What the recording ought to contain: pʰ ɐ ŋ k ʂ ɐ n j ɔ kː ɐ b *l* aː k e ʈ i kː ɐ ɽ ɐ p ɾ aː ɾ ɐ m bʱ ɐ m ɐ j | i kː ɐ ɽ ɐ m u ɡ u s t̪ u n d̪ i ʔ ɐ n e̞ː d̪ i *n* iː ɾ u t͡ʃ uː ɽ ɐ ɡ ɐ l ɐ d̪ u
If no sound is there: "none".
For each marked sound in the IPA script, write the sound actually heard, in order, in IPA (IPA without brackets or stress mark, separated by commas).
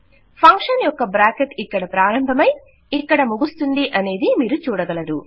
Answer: ɾ, m